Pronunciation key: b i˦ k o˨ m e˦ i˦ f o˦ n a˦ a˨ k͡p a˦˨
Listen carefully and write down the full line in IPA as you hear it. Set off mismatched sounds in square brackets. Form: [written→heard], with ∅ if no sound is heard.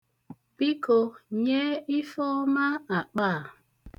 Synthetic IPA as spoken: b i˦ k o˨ [m→ɲ] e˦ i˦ f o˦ [n→m] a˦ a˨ k͡p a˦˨